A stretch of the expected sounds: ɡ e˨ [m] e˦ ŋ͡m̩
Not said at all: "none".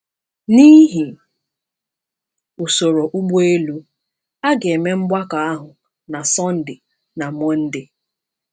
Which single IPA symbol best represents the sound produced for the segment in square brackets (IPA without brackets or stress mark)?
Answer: m